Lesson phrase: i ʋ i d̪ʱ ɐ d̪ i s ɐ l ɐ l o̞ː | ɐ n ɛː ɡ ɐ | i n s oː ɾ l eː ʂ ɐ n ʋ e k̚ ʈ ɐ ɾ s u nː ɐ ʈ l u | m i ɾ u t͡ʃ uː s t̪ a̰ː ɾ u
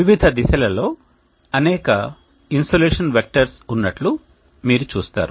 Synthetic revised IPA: i ʋ i d̪ʱ ɐ d̪ i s ɐ l ɐ l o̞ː | ɐ n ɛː k ɐ | i n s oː l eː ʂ ɐ n ʋ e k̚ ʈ ɐ ɾ s u nː ɐ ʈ l u | m iː ɾ u t͡ʃ uː s t̪ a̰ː ɾ u